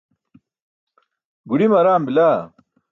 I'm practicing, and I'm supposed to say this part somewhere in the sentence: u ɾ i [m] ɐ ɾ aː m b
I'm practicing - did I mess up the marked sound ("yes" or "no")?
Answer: no